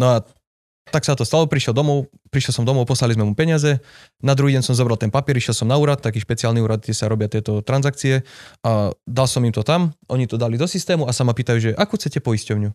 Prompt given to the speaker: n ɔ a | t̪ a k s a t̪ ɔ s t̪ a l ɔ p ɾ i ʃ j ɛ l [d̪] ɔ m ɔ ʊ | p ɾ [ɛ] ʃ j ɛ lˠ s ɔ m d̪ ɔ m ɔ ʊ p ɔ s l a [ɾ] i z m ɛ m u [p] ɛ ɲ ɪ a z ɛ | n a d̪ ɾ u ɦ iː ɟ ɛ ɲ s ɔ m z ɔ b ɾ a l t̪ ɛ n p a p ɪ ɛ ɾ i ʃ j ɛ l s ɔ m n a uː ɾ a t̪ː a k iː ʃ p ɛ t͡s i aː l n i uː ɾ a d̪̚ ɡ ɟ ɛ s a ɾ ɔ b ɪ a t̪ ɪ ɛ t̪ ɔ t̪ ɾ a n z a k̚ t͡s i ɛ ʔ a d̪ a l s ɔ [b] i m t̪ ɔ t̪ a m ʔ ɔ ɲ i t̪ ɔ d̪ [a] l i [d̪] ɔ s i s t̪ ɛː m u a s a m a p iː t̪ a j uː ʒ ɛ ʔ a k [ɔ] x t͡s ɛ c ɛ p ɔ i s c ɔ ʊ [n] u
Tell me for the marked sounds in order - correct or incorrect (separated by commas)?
correct, incorrect, incorrect, correct, incorrect, correct, correct, incorrect, incorrect